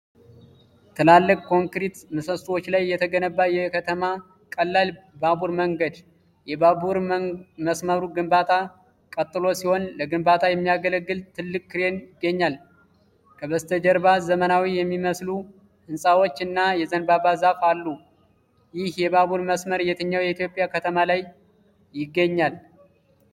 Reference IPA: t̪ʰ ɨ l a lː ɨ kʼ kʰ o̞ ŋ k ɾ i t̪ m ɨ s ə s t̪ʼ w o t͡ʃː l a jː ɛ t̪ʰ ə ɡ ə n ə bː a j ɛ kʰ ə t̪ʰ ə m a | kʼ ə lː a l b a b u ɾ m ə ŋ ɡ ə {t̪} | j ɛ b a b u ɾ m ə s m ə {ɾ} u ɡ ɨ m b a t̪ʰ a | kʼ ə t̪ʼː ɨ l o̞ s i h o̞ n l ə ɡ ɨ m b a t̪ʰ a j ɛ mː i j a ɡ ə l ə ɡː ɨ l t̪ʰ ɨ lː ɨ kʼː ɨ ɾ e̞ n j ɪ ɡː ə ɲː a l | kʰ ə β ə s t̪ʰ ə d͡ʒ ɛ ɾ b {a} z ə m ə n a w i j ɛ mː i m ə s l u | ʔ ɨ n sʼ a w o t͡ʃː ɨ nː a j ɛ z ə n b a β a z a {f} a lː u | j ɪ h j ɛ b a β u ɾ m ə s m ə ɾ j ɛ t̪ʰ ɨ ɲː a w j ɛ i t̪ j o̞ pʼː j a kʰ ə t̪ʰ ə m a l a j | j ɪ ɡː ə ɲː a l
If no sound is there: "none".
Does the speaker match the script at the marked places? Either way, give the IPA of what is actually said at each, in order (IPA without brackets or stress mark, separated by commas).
d̪, ɾ, a, f